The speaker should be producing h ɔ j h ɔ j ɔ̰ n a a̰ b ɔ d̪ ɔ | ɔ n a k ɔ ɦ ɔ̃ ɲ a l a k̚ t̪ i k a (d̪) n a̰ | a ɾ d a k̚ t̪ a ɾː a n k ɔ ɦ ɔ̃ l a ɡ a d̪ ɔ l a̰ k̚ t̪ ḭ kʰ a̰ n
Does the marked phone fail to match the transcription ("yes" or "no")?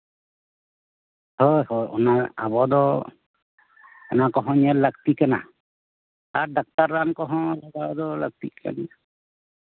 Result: yes